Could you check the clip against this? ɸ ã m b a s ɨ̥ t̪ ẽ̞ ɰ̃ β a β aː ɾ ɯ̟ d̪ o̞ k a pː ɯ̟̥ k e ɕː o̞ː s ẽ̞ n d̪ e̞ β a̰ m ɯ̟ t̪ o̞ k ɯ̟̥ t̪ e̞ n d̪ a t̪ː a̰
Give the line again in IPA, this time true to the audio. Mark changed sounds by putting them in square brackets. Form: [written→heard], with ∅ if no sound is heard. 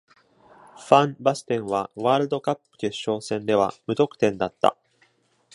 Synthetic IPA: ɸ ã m b a s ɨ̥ t̪ ẽ̞ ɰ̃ β a β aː ɾ ɯ̟ d̪ o̞ k a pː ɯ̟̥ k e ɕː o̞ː s ẽ̞ n d̪ e̞ β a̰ m ɯ̟ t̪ o̞ k ɯ̟̥ t̪ [e̞→ẽ̞] n d̪ a t̪ː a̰